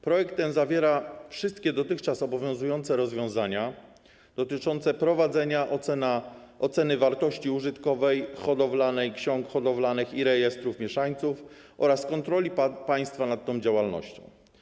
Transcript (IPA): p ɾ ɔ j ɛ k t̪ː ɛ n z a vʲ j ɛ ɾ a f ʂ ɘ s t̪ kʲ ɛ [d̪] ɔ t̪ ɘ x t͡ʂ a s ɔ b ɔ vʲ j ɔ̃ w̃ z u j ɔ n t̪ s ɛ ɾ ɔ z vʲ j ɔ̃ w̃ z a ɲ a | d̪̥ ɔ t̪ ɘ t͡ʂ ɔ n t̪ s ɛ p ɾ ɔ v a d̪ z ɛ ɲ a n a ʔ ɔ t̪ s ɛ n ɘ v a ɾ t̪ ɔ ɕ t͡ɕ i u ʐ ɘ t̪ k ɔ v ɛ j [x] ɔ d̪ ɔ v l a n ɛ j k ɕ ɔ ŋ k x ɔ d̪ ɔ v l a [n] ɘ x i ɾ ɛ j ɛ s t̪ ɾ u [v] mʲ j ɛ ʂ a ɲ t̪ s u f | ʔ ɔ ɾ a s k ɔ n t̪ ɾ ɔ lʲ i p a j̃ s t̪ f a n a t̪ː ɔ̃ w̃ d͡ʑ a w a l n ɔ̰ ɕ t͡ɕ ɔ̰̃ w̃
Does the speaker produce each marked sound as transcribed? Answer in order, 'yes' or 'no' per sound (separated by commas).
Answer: yes, yes, yes, no